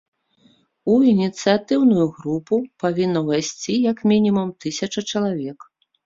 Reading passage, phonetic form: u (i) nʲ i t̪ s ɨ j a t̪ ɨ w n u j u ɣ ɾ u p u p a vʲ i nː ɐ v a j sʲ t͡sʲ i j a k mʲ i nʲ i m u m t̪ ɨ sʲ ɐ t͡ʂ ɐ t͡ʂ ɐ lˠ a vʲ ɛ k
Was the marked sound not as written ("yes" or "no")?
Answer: no